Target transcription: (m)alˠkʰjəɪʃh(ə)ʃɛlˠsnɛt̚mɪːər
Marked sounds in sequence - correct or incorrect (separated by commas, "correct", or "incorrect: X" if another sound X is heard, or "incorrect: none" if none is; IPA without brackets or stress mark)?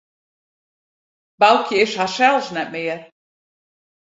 incorrect: b, incorrect: a